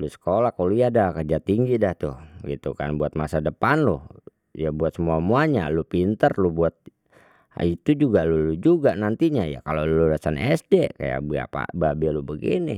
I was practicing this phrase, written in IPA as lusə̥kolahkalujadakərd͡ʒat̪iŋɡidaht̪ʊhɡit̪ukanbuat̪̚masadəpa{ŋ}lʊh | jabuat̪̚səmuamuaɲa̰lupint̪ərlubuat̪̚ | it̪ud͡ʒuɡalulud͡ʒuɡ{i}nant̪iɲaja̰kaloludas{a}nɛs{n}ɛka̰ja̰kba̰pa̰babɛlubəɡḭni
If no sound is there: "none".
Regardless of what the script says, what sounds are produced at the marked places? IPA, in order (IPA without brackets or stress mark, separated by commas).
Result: n, a, a, d